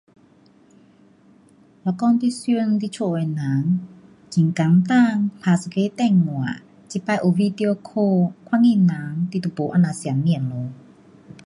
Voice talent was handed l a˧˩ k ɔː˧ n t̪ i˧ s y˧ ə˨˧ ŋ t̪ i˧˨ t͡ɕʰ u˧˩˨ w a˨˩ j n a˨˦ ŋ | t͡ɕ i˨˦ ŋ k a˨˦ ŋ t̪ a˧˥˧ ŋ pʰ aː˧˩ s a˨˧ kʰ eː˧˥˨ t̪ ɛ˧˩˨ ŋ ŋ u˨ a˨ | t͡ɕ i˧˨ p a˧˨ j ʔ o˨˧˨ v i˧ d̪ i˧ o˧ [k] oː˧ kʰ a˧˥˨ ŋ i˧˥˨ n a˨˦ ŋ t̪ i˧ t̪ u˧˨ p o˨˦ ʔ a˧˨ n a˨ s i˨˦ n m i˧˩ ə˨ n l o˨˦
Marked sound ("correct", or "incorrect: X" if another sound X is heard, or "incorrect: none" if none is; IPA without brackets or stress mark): incorrect: kʰ